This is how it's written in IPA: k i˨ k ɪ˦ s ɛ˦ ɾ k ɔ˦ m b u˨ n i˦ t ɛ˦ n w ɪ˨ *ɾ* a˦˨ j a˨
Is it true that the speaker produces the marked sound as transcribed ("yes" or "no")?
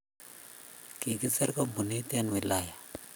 no